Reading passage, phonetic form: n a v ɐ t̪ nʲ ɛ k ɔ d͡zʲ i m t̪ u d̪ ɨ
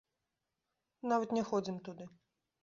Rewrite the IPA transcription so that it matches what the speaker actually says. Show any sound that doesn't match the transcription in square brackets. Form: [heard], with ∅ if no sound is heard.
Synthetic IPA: n a v ɐ t̪ nʲ ɛ [x] ɔ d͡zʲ i m t̪ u d̪ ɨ